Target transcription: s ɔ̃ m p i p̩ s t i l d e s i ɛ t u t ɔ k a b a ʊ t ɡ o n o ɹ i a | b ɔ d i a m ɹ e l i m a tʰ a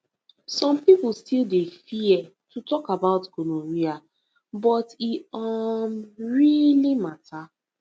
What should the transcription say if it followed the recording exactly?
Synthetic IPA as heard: s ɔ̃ m p i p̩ s t i l d e f i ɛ t u t ɔ k a b a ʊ t ɡ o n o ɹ i a | b ɔ t i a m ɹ i l i m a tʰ a